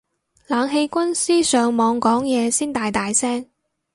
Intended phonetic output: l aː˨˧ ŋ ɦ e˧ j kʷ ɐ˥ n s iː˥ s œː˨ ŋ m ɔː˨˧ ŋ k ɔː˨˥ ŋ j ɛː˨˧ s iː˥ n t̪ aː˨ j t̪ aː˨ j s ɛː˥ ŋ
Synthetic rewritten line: l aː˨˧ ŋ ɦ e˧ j kʷ ɐ˥ n s iː˥ s œː˨ ŋ m ɔː˨˧ ŋ k ɔː˨˥ ŋ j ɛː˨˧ s iː˥ n t̪ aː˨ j t̪ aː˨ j s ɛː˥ ŋ